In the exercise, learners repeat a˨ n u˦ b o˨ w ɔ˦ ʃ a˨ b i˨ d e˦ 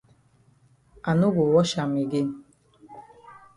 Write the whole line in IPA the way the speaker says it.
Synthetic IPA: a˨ n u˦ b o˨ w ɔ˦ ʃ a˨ m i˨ ɡ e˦